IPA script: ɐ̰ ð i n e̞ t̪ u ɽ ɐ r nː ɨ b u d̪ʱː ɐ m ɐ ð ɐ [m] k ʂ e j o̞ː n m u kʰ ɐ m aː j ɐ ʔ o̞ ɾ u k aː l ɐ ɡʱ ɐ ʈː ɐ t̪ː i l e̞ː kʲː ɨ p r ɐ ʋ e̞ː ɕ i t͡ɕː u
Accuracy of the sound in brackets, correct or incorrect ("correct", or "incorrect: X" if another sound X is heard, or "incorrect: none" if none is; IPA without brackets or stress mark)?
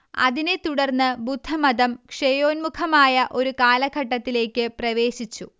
correct